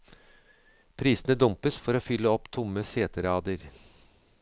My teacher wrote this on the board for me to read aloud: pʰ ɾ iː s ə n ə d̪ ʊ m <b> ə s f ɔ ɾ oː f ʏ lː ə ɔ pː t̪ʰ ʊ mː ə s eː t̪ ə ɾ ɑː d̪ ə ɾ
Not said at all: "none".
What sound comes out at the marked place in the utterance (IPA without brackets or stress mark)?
p